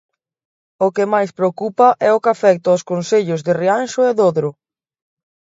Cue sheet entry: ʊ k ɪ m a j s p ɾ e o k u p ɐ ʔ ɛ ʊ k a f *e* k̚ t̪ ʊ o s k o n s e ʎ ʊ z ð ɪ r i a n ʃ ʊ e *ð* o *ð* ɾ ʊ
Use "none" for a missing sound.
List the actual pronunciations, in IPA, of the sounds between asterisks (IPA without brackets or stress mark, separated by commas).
ɛ, ð, ð